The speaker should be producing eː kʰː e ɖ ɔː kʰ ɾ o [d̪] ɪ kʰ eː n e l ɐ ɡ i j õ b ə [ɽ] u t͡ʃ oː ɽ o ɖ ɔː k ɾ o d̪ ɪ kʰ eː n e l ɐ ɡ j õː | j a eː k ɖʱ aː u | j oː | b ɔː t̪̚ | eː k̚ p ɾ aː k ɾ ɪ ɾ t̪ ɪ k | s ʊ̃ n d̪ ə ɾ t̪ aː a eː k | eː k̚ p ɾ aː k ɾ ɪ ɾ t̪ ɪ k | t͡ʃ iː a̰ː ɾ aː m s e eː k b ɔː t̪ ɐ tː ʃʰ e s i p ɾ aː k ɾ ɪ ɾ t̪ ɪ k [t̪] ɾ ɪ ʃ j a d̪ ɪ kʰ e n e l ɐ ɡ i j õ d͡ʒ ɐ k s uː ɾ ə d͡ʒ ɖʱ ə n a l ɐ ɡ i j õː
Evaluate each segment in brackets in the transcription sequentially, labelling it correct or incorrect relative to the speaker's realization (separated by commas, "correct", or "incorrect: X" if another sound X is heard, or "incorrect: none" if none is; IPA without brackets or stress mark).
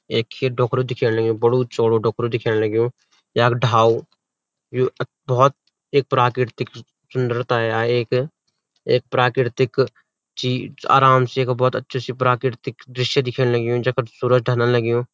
correct, correct, incorrect: d̪